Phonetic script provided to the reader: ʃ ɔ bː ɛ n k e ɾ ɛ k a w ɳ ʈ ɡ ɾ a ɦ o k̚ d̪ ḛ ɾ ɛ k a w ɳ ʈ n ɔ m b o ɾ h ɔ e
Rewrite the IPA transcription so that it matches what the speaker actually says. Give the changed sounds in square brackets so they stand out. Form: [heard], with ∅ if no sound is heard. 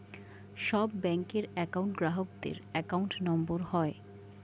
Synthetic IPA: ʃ ɔ bː ɛ [ŋ] k e ɾ ɛ k a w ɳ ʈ ɡ ɾ a ɦ o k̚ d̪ ḛ ɾ ɛ k a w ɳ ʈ n ɔ m b o ɾ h ɔ e